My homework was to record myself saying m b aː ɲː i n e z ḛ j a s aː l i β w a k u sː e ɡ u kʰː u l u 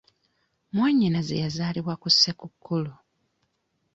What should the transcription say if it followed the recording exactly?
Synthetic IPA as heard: m w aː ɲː i n a z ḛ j a z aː l i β w a k u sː e k u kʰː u l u